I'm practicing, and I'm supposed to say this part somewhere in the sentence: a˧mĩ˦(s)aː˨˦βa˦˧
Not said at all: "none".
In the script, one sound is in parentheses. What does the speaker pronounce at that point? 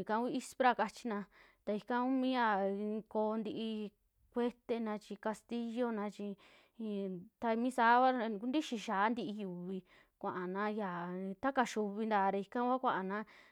s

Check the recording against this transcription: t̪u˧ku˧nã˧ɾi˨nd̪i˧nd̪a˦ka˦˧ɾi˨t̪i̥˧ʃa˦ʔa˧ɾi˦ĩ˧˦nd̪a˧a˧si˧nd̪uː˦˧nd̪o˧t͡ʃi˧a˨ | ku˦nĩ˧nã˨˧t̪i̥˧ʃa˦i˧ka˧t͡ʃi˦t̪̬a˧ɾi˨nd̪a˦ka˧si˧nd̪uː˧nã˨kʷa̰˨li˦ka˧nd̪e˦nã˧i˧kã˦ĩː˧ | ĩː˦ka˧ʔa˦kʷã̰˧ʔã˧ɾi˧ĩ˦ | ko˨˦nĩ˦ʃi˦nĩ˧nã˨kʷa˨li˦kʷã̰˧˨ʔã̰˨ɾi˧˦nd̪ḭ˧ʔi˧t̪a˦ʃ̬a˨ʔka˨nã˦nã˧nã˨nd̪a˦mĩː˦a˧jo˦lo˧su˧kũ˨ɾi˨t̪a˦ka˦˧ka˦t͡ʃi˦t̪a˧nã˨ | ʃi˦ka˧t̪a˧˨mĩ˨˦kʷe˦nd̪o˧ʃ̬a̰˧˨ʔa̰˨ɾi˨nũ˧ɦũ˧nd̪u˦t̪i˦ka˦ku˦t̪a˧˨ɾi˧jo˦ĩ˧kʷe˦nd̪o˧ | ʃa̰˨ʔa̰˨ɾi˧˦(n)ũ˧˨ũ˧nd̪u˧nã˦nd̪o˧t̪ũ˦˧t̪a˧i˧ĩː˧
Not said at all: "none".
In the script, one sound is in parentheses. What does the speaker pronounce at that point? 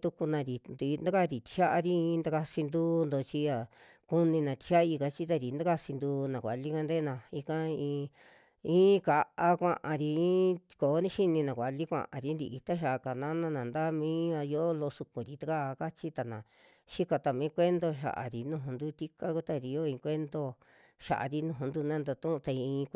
n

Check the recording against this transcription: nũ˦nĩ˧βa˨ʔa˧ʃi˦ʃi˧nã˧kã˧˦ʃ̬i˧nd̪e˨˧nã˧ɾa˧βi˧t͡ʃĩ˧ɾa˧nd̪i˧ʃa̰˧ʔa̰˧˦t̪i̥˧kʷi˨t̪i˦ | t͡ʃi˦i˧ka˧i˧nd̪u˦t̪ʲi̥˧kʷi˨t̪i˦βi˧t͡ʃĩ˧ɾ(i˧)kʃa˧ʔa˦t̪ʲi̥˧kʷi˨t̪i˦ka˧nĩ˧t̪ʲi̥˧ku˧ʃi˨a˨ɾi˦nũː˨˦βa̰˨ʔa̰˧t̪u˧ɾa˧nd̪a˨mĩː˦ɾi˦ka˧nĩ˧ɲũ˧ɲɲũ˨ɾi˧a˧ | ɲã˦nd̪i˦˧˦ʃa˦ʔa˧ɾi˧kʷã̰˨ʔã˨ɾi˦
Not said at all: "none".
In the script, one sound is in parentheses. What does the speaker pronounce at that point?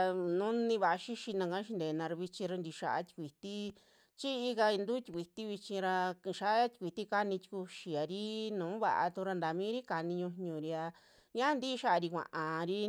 a˧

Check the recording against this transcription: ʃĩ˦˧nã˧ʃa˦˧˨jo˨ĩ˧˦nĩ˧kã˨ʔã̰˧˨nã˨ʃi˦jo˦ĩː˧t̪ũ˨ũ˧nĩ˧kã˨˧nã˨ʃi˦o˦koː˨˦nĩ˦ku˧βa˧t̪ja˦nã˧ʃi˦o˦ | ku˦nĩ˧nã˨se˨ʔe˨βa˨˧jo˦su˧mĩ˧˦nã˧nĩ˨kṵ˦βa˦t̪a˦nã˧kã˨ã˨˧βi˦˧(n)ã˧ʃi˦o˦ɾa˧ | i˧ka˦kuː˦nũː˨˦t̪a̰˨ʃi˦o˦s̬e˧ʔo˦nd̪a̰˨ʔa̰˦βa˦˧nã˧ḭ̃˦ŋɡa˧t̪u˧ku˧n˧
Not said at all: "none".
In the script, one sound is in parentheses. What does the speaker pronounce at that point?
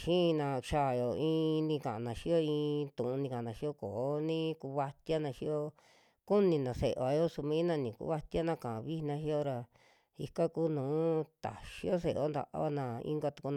n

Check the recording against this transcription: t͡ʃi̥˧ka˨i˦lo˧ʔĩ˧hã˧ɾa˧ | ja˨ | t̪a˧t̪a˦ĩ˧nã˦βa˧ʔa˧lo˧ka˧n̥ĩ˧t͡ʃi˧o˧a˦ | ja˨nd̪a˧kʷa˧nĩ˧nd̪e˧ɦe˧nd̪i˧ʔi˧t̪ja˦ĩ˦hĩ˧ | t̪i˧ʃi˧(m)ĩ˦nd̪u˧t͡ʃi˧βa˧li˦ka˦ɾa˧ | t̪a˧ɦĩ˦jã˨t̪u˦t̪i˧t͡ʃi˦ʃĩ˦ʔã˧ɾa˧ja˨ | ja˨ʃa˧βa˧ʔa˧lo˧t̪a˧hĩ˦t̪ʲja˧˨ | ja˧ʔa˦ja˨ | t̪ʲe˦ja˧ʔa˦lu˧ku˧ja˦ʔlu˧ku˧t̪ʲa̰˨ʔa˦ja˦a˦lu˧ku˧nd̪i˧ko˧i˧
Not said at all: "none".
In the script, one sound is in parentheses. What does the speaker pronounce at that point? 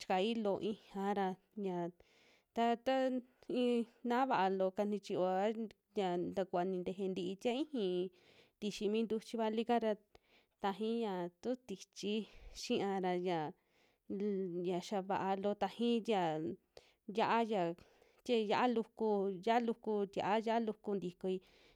m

